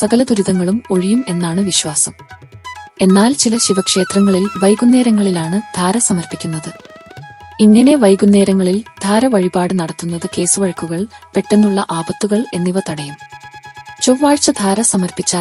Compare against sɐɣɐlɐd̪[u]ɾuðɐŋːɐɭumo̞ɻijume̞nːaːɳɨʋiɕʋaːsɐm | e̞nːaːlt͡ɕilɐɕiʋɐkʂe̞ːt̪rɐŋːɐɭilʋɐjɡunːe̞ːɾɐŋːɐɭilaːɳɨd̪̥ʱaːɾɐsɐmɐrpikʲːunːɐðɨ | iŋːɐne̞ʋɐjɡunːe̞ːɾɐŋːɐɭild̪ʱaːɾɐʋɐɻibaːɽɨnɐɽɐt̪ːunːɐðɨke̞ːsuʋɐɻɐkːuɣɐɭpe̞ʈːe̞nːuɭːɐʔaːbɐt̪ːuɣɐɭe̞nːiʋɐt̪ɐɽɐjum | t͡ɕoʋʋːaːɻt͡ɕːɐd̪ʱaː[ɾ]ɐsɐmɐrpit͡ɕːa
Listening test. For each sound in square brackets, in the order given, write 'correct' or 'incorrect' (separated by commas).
correct, correct